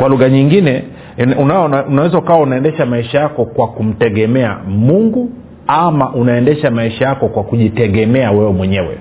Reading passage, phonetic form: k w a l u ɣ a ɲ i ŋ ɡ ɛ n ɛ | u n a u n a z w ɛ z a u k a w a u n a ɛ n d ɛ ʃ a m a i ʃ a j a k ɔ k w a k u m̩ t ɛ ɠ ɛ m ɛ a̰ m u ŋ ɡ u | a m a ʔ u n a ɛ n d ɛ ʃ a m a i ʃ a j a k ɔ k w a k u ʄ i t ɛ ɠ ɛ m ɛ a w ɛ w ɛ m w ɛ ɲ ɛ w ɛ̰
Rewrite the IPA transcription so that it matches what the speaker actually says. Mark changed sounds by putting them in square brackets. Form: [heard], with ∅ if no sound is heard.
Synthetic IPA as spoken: k w a l u ɣ a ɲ i ŋ ɡ [i] n ɛ | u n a u n a [∅] w ɛ z a u k a w a u n a ɛ n d ɛ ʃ a m a i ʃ a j a k ɔ k w a k u m̩ t ɛ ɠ ɛ m ɛ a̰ m u ŋ ɡ u | a m a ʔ u n a ɛ n d ɛ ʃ a m a i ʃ a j a k ɔ k w a k u ʄ i t ɛ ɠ ɛ m ɛ a w ɛ w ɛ m w ɛ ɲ ɛ w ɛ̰